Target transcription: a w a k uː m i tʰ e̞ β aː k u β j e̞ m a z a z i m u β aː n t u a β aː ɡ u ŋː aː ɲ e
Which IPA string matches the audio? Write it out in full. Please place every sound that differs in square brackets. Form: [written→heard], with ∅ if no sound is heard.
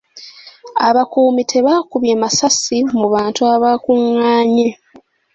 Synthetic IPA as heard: a [w→β] a k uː m i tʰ e̞ β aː k u β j e̞ m a [z→s] a [z→s] i m u β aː n t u a β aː [ɡ→k] u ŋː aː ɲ e